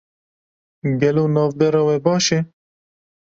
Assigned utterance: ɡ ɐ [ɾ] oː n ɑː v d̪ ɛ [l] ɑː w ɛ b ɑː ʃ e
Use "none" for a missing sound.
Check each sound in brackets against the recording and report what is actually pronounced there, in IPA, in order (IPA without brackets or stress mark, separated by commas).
l, ɾ